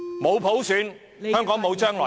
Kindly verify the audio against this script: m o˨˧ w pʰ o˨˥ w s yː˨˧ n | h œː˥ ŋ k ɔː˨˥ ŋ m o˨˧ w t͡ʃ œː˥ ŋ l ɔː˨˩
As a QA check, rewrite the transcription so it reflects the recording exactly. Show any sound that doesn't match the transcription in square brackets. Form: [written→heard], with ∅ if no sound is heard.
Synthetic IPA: m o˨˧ w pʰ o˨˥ w s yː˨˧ n | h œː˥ ŋ k ɔː˨˥ ŋ m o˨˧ w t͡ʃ œː˥ ŋ l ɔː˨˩